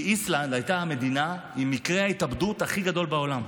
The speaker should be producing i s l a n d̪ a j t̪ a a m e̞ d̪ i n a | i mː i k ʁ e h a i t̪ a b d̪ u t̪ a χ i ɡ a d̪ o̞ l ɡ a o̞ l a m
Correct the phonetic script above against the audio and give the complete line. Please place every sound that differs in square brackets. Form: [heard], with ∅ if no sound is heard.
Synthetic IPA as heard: i s l a n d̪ a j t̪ a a m e̞ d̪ i n a | i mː i k ʁ e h a i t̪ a b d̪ u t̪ a χ i ɡ a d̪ o̞ l [b] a o̞ l a m